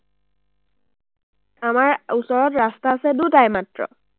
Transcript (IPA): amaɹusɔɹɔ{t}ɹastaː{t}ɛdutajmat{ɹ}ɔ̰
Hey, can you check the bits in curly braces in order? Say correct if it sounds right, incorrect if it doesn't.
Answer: correct, incorrect: s, correct

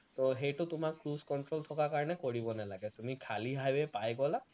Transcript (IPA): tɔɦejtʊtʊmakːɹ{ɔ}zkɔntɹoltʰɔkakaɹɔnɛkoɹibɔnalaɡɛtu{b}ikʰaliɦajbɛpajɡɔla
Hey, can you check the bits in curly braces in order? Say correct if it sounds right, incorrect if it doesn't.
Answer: incorrect: u, incorrect: m

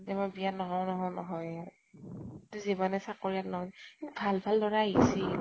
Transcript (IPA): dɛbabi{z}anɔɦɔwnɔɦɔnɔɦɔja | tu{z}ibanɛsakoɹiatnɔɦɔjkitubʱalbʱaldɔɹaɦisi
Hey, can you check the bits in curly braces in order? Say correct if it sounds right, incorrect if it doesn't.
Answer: incorrect: none, correct

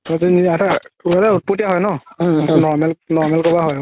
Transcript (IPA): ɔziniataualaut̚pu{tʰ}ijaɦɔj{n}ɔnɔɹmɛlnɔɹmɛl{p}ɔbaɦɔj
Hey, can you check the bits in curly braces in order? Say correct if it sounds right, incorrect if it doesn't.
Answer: incorrect: t, correct, incorrect: k

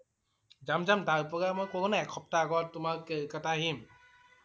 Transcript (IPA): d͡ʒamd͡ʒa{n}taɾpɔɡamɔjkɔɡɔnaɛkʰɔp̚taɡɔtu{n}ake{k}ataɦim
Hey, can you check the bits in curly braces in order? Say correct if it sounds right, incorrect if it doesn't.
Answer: incorrect: m, incorrect: m, correct

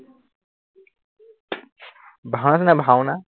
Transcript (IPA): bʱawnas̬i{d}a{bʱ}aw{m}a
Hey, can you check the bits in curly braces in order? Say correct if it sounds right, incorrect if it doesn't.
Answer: incorrect: n, correct, incorrect: n

